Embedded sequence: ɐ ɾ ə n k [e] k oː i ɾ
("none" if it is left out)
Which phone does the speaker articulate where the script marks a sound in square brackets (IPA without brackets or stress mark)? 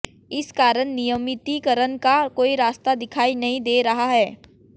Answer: a